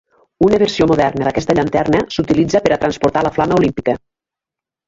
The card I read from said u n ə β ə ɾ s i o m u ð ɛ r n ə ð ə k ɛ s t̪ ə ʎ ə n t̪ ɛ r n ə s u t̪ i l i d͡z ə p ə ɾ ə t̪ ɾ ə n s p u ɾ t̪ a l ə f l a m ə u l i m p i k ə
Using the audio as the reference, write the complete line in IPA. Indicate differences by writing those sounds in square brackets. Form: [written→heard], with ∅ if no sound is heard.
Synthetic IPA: u n ə β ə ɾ s i o m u ð ɛ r n ə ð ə k ɛ s t̪ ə ʎ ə n t̪ ɛ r n ə s u t̪ i l i d͡z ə p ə ɾ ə t̪ ɾ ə n s p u ɾ t̪ a l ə f l a m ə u l i m p i k ə